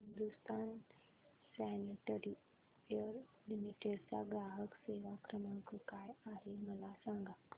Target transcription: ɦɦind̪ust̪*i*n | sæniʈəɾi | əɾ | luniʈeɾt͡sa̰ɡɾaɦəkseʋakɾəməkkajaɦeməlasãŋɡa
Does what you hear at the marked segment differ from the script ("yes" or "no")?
yes